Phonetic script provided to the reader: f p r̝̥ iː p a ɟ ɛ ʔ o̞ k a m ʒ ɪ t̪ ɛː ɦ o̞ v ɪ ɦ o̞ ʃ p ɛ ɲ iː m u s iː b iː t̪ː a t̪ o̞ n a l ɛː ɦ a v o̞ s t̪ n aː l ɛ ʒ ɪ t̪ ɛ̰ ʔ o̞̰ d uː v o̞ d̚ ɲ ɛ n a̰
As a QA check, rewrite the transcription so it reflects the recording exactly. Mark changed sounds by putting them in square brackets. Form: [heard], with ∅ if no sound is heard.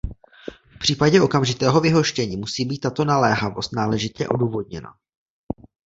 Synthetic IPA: f p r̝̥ iː p a ɟ ɛ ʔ o̞ k a m ʒ ɪ t̪ ɛː ɦ o̞ v ɪ ɦ o̞ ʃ [c] ɛ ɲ iː m u s iː b iː t̪ː a t̪ o̞ n a l ɛː ɦ a v o̞ s t̪ n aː l ɛ ʒ ɪ t̪ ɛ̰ ʔ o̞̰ d uː v o̞ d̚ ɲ ɛ n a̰